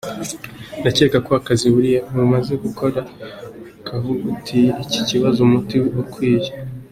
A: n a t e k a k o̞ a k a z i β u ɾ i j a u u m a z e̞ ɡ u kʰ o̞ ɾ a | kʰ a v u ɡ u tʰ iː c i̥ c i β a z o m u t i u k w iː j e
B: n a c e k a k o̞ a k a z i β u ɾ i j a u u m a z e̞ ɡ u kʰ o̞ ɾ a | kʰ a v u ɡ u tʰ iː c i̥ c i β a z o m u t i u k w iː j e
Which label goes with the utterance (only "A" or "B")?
B